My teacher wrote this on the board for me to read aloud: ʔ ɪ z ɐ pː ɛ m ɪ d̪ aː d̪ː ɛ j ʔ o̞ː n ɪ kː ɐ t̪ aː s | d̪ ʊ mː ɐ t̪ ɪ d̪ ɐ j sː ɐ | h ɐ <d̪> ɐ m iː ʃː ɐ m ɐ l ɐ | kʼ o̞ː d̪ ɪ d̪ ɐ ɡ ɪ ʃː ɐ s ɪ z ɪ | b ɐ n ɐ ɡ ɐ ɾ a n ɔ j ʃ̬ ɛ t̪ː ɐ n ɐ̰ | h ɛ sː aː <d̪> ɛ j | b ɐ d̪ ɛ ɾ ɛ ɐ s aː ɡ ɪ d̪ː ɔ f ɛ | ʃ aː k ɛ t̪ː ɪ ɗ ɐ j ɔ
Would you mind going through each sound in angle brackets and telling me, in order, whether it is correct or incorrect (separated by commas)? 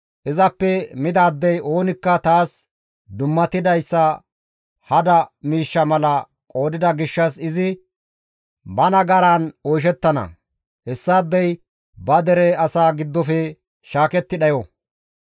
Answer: correct, incorrect